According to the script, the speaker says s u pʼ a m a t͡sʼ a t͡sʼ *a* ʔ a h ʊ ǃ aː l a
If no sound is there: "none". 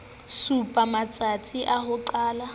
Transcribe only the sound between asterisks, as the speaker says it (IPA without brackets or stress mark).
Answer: i